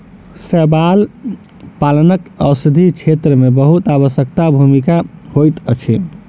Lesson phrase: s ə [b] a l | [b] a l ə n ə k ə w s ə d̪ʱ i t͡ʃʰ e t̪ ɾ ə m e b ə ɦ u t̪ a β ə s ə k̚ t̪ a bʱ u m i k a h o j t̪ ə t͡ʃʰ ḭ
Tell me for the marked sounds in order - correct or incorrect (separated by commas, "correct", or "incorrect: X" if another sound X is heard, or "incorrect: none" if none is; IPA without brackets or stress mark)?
correct, incorrect: p